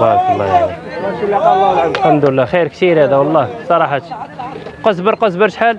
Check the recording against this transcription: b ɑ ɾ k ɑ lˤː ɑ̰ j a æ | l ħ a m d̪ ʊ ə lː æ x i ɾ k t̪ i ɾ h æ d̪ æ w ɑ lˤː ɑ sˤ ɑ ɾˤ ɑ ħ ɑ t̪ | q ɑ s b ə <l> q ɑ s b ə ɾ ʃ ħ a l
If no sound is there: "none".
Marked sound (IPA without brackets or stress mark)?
ɾ